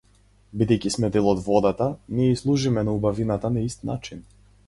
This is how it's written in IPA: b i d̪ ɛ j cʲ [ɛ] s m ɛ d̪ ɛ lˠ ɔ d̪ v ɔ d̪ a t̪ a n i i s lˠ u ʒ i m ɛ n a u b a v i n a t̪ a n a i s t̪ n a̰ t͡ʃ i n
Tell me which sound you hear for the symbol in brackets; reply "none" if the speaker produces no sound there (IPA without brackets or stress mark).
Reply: i